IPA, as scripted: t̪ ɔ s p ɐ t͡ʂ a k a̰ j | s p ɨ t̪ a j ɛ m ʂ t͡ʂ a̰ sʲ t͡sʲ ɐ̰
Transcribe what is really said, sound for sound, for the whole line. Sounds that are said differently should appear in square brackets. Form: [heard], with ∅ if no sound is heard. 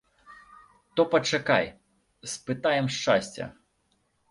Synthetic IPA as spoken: t̪ ɔ [∅] p ɐ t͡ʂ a k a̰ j | s p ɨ t̪ a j ɛ m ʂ t͡ʂ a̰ sʲ t͡sʲ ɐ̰